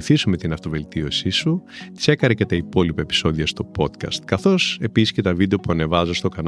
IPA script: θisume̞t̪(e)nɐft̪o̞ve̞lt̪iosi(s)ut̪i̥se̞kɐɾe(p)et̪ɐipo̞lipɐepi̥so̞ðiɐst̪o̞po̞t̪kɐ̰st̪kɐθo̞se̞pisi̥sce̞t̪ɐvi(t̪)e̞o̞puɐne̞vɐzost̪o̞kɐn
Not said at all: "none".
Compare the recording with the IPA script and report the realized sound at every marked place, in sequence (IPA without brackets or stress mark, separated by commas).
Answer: i, s, c, d̪